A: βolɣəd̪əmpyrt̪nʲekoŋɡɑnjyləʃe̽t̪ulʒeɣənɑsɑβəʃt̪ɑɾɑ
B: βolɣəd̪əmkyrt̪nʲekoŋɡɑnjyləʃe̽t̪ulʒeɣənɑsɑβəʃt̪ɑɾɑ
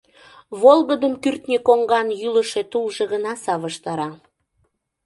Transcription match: B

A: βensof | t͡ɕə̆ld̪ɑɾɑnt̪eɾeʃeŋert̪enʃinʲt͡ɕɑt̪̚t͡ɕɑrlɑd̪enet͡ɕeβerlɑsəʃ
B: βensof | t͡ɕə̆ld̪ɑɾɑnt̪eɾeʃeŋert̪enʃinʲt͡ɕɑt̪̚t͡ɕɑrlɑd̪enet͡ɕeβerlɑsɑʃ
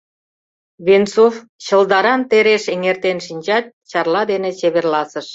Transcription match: A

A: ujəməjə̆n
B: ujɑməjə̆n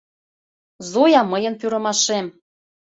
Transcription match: B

